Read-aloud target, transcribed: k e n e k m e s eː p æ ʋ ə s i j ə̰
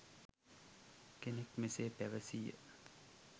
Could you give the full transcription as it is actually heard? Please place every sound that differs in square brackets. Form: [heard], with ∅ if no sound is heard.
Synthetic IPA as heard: k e n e k m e s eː p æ ʋ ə s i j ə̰

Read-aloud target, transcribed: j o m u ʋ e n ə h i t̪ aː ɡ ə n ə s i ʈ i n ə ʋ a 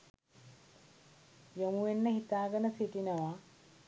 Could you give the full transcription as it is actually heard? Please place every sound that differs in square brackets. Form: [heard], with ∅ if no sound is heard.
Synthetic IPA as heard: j o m u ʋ e [nː] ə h i t̪ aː ɡ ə n ə s i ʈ i n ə ʋ a

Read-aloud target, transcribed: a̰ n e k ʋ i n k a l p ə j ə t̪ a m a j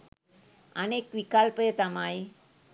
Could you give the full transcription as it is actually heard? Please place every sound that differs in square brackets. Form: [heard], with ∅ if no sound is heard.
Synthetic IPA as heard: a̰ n e k ʋ i [∅] k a l p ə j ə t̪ a m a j

